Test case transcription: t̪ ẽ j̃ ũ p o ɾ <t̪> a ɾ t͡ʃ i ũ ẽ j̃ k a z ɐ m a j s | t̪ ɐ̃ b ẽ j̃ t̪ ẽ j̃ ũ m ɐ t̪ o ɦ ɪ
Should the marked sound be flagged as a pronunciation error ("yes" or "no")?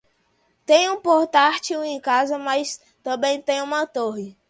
no